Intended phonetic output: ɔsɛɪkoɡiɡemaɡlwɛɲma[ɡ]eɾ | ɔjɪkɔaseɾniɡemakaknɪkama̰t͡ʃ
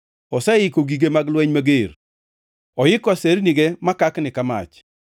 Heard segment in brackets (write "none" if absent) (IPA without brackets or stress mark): ɡ